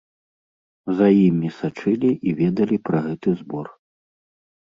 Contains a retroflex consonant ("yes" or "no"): yes